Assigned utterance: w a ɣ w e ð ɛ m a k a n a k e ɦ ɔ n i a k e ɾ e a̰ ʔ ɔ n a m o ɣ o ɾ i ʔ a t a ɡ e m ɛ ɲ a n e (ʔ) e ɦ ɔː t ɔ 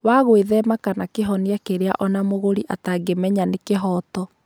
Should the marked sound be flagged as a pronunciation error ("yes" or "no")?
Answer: yes